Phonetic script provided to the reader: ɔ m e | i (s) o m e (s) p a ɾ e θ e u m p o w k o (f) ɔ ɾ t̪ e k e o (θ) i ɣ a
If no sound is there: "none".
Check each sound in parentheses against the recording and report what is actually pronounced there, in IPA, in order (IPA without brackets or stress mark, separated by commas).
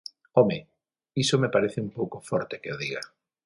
s, none, f, ð